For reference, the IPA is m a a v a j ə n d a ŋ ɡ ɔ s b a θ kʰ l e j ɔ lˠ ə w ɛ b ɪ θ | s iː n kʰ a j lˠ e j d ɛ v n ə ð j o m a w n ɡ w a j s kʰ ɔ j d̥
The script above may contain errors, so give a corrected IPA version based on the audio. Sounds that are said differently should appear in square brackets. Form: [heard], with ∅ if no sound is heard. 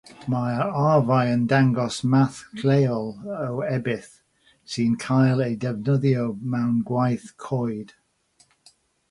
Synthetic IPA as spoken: m a a v a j ə n d a ŋ ɡ ɔ s [m] a θ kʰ l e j ɔ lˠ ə w ɛ b ɪ θ | s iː n kʰ a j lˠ e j d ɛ v n ə ð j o m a w n ɡ w a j [θ] kʰ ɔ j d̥